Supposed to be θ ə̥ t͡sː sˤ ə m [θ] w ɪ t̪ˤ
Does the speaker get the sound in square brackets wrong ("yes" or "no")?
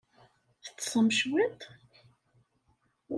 yes